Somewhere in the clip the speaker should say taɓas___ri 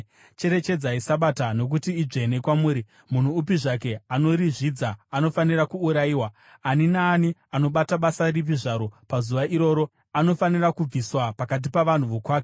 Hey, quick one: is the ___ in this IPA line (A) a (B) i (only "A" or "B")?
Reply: A